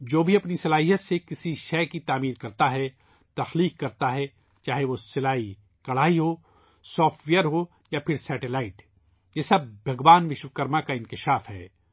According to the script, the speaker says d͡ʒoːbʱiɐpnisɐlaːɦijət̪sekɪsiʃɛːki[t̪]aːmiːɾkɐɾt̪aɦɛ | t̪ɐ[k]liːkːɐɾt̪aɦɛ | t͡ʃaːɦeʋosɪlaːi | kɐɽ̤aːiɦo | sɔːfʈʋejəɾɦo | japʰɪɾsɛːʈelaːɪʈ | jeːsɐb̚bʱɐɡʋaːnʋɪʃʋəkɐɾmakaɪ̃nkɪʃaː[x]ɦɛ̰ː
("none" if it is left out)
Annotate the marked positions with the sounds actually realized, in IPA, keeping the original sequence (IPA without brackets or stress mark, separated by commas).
t̪, x, f